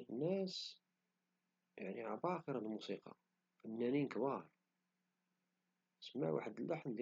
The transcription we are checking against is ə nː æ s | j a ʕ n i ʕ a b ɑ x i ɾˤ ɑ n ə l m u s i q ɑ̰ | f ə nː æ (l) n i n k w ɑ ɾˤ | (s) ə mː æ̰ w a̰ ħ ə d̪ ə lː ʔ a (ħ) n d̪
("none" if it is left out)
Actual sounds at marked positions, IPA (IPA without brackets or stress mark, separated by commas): none, s, ħ